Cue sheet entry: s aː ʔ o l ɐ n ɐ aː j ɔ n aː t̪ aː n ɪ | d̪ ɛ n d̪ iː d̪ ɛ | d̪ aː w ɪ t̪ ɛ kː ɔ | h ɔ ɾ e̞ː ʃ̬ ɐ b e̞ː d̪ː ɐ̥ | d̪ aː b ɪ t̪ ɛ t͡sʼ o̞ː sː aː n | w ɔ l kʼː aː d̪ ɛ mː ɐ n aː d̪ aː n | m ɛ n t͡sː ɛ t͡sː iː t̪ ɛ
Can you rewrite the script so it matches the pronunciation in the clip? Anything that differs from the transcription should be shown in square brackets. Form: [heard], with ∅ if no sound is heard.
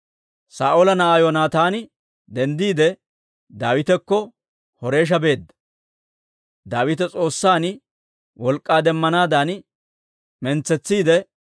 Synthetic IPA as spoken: s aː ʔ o l ɐ n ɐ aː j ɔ n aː t̪ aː n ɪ | d̪ ɛ n d̪ iː d̪ ɛ | d̪ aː w ɪ t̪ ɛ kː ɔ | h ɔ ɾ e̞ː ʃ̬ ɐ b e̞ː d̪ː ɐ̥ | d̪ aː [w] ɪ t̪ ɛ t͡sʼ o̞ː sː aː n | w ɔ l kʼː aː d̪ ɛ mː ɐ n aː d̪ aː n | m ɛ n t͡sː ɛ t͡sː iː [d̪] ɛ